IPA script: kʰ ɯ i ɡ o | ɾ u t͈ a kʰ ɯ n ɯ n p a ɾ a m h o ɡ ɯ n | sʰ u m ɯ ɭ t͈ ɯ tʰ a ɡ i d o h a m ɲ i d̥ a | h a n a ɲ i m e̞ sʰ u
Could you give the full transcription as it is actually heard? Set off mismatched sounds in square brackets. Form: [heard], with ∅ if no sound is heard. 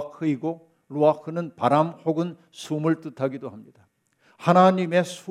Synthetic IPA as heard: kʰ ɯ i ɡ o | ɾ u [∅] a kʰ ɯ n ɯ n p a ɾ a m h o ɡ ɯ n | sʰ u m ɯ ɭ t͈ ɯ tʰ a ɡ i d o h a m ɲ i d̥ a | h a n a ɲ i m e̞ sʰ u